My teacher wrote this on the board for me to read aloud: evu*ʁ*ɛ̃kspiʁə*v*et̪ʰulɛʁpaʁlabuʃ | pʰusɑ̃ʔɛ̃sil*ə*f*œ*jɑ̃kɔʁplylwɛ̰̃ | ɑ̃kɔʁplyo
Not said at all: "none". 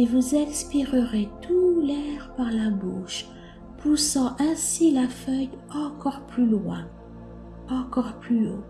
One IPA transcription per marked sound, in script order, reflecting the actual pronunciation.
z, ʁ, a, œ

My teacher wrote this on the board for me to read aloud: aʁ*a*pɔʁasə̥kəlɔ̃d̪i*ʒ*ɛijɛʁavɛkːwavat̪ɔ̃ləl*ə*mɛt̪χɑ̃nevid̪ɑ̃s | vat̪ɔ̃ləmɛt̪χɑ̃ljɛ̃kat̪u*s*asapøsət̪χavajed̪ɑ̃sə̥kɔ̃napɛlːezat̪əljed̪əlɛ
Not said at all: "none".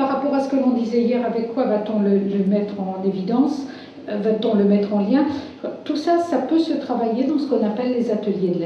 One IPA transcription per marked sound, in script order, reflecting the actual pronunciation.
a, z, ə, s

